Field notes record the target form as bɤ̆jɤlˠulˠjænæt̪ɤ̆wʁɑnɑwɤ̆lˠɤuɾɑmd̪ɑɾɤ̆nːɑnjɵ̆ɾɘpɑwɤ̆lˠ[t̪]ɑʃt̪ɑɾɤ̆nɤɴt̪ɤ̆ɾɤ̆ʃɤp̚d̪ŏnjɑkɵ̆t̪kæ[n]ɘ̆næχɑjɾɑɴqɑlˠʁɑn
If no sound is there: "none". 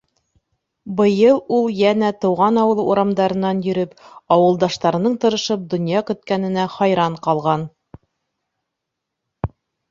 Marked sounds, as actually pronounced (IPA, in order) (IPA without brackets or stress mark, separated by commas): d̪, n